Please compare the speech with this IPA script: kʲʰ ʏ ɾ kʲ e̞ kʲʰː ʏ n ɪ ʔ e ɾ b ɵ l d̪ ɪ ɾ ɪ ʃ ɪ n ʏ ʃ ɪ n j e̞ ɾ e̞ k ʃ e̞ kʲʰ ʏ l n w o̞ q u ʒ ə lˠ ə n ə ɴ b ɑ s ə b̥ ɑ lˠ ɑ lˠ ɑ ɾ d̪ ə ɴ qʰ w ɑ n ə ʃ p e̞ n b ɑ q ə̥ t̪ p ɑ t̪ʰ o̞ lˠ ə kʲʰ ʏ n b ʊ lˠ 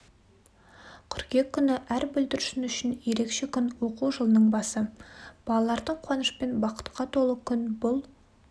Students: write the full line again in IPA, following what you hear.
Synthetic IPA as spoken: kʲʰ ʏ ɾ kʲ e̞ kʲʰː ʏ n ɪ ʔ æ ɾ b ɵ l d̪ ɪ ɾ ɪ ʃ ɪ n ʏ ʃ ɪ n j e̞ ɾ e̞ k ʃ e̞ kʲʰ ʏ n w o̞ q u ʒ ə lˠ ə n ə ɴ b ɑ s ə b̥ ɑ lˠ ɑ lˠ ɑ ɾ d̪ ə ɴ qʰ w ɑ n ə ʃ p e̞ n b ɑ q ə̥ t̪ q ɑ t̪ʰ o̞ lˠ ə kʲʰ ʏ n b ʊ lˠ